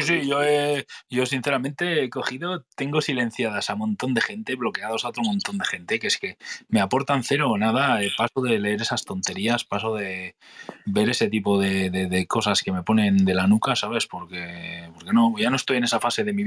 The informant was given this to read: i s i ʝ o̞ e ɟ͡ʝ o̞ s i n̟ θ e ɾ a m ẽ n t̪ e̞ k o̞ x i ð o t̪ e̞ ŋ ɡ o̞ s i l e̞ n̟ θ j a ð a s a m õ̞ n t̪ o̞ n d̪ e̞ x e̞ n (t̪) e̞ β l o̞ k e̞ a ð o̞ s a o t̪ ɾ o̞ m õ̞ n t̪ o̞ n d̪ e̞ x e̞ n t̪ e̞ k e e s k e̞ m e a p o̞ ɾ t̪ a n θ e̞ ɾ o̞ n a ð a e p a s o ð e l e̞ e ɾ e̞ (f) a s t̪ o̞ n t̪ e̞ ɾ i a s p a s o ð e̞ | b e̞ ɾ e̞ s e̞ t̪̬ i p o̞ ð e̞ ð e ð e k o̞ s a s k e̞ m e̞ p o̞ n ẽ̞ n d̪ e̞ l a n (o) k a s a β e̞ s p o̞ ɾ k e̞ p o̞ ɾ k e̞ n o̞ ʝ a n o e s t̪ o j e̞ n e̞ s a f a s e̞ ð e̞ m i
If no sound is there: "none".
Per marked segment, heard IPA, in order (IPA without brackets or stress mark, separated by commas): t̪, s, u